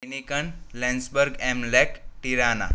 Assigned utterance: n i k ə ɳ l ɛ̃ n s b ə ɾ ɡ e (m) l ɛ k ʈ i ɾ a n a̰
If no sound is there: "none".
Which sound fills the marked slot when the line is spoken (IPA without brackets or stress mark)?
m